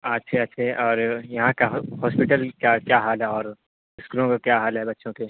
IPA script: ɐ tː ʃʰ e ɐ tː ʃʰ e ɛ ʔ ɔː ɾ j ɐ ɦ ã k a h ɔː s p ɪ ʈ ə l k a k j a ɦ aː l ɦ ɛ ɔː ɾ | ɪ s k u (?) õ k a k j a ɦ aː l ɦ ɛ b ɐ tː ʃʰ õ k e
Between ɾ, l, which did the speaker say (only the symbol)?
l